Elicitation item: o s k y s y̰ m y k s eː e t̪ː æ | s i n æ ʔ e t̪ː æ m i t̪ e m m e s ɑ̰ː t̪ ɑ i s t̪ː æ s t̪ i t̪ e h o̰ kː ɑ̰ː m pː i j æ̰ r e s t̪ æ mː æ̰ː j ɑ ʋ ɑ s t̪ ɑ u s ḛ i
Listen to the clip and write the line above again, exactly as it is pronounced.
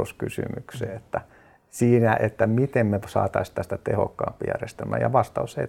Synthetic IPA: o s k y s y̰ m y k s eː e t̪ː æ | s iː n æ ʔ e t̪ː æ m i t̪ e m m e s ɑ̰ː t̪ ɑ i s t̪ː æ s t̪ æ t̪ e h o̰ kː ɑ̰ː m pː i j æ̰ r e s t̪ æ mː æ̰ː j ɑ ʋ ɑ s t̪ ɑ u s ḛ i